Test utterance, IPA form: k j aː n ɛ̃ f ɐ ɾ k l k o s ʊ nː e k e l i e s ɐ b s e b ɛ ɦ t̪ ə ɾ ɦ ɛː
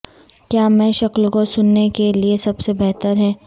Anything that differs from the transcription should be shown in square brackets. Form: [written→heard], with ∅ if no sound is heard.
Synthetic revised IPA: k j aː [n→m] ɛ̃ [f→ʃ] ɐ [ɾ→∅] k l k o s ʊ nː e k e l i e s ɐ b s e b ɛ ɦ t̪ ə ɾ ɦ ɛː